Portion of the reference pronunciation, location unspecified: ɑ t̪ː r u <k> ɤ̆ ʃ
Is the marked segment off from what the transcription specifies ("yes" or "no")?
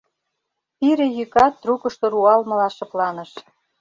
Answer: no